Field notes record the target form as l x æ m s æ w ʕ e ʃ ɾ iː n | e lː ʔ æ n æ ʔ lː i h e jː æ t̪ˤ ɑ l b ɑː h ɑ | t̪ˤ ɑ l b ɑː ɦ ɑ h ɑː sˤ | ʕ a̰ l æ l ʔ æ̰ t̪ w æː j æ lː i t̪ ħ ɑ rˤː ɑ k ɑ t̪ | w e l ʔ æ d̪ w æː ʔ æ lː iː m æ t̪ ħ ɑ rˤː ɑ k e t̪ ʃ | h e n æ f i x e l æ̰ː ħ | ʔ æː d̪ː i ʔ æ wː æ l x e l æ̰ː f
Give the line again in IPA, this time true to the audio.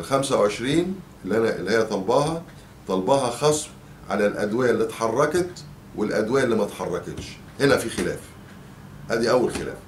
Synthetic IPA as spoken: l x æ m s æ w ʕ e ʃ ɾ iː n | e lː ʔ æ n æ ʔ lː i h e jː æ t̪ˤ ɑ l b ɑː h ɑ | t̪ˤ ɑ l b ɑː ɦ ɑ x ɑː sˤ | ʕ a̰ l æ l ʔ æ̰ d̪ w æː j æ lː i t̪ ħ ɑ rˤː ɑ k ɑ t̪ | w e l ʔ æ d̪ w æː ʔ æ lː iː m æ t̪ ħ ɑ rˤː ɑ k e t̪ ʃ | h e n æ f i x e l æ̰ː f | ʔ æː d̪ i ʔ æ wː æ l x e l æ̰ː f